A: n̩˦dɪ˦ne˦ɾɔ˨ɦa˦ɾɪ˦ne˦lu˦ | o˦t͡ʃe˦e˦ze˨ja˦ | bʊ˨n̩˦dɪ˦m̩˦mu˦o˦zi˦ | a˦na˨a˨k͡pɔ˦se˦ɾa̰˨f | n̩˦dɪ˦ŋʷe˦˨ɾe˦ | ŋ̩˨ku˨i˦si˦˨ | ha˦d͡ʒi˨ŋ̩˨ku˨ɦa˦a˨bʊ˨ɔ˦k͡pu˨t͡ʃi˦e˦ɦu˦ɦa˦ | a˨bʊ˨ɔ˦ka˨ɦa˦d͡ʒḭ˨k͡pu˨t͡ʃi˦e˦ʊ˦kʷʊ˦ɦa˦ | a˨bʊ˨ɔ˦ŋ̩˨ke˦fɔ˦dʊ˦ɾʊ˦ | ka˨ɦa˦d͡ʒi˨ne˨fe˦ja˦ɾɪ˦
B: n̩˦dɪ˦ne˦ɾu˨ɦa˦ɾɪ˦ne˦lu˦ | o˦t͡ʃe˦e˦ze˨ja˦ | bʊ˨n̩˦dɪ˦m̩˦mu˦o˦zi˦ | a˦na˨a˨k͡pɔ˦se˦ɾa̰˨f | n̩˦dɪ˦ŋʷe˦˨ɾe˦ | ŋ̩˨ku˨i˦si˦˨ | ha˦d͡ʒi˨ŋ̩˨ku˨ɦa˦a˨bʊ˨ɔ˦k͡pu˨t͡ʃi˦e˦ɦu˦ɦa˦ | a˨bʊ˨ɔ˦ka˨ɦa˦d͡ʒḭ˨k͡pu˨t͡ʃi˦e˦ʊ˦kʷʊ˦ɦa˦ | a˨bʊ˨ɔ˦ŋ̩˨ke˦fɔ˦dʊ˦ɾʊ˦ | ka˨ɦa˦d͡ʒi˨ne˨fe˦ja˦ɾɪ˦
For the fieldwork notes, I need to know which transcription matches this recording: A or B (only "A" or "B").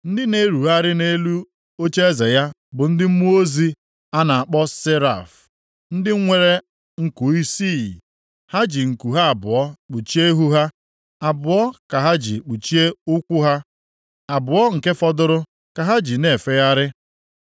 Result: B